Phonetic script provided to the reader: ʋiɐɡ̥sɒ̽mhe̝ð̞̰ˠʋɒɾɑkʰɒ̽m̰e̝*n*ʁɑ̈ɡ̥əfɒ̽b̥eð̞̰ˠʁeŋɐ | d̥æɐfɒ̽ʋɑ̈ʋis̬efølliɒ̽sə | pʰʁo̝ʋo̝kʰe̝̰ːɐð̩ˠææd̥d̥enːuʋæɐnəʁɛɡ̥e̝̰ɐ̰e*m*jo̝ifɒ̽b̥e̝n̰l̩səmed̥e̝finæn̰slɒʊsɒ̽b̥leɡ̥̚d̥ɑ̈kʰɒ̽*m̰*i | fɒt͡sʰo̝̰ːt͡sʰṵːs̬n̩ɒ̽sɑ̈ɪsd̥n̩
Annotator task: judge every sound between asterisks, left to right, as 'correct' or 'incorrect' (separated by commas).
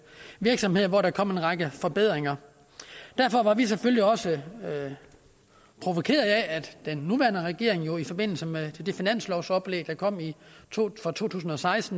correct, incorrect, correct